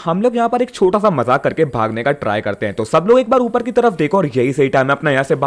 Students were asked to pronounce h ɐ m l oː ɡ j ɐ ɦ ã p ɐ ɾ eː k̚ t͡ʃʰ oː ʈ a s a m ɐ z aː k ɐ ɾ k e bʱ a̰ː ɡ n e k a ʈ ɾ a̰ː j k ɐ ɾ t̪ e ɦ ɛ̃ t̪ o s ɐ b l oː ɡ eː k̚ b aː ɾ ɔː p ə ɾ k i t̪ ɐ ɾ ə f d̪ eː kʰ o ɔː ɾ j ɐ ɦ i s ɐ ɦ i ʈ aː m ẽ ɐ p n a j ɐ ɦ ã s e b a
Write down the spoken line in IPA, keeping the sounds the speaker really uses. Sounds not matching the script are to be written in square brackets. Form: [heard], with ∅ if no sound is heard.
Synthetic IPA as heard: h ɐ m l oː ɡ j ɐ ɦ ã p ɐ ɾ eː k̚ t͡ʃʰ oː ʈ a s a m ɐ z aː k ɐ ɾ k e bʱ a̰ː ɡ n e k a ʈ ɾ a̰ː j k ɐ ɾ t̪ e ɦ ɛ̃ t̪ o s ɐ b l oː ɡ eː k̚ b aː ɾ [uː] p ə ɾ k i t̪ ɐ ɾ ə f d̪ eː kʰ o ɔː ɾ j ɐ ɦ i s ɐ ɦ i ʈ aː m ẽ ɐ p n a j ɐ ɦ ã s e b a

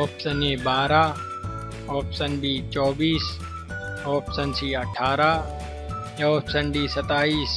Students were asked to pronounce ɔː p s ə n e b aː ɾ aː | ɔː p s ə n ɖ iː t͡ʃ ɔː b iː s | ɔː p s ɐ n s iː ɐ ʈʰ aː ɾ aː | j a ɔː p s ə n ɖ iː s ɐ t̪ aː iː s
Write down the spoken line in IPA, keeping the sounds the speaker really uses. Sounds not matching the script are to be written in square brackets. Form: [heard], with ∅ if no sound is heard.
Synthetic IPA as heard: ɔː p s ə n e b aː ɾ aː | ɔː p s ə n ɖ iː t͡ʃ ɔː b iː s | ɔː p s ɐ n s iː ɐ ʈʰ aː ɾ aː | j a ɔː p s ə n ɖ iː s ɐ t̪ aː iː s

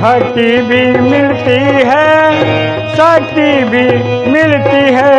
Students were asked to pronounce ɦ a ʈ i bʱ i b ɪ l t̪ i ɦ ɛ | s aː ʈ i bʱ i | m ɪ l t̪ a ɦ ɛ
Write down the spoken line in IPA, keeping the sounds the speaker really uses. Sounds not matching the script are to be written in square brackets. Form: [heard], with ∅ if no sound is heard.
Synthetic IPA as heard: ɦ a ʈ i bʱ i [m] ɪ l t̪ i ɦ ɛ | s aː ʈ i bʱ i | m ɪ l t̪ [i] ɦ ɛ

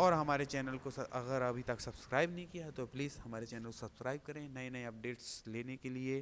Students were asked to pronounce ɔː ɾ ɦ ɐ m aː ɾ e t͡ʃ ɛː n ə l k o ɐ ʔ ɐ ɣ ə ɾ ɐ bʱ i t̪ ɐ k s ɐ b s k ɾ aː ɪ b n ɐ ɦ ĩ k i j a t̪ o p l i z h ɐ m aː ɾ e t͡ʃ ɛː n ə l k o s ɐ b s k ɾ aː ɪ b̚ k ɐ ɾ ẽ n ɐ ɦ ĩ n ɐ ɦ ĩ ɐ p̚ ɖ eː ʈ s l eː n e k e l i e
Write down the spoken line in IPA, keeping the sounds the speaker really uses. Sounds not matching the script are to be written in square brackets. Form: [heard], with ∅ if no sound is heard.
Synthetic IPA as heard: ɔː ɾ ɦ ɐ m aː ɾ e t͡ʃ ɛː n ə l k o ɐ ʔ ɐ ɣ ə ɾ ɐ bʱ i t̪ ɐ k s ɐ b s k ɾ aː ɪ b n ɐ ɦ ĩ k i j a t̪ o p l [iː] z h ɐ m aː ɾ e t͡ʃ ɛː n ə l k o s ɐ b s k ɾ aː ɪ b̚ k ɐ ɾ ẽ n ɐ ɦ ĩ n ɐ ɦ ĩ ɐ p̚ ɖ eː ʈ s l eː n e k e l i e

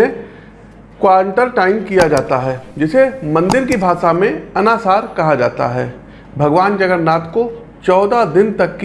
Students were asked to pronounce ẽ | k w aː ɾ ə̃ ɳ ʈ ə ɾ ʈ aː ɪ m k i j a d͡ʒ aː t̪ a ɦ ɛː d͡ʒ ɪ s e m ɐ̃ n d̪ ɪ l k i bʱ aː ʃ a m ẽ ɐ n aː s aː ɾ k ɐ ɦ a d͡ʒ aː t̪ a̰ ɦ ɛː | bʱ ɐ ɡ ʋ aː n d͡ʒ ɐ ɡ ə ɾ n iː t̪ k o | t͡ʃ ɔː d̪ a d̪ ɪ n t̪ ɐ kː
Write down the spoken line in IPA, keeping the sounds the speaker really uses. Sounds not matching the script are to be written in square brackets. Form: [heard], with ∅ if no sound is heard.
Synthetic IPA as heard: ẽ | k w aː ɾ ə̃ ɳ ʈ ə ɾ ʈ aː ɪ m k i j a d͡ʒ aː t̪ a ɦ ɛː d͡ʒ ɪ s e m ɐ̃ n d̪ ɪ [ɾ] k i bʱ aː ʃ a m ẽ ɐ n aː s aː ɾ k ɐ ɦ a d͡ʒ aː t̪ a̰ ɦ ɛː | bʱ ɐ ɡ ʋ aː n d͡ʒ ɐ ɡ ə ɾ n [aː] t̪ k o | t͡ʃ ɔː d̪ a d̪ ɪ n t̪ ɐ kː

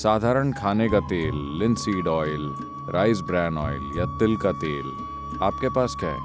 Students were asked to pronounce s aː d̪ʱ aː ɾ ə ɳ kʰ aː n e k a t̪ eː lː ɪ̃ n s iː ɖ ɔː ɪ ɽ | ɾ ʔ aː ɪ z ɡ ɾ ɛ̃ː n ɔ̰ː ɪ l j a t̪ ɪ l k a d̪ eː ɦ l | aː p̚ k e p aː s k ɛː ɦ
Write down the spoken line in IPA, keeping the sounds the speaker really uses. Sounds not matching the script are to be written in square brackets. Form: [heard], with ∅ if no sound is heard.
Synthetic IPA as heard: s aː d̪ʱ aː ɾ ə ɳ kʰ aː n e k a t̪ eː lː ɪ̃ n s iː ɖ ɔː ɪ [l] | ɾ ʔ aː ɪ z [b] ɾ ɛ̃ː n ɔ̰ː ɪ l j a t̪ ɪ l k a [t̪] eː [∅] l | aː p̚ k e p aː s k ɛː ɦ

